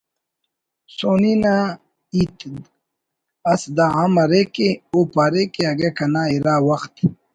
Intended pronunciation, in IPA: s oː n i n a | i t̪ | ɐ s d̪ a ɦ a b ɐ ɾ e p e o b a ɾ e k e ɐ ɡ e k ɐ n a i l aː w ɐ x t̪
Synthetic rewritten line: s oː n i n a | i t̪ | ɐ s d̪ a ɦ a m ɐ ɾ e k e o p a ɾ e k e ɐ ɡ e k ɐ n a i ɾ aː w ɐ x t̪